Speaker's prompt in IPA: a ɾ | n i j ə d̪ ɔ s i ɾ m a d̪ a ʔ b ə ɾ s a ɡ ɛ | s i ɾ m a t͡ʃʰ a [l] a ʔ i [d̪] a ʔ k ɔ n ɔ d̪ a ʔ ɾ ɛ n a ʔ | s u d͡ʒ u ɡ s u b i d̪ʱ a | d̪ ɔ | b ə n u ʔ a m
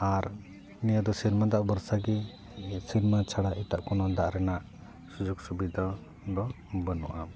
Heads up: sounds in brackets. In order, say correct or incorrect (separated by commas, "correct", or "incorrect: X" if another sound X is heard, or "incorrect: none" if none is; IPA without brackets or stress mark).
incorrect: ɽ, incorrect: t̪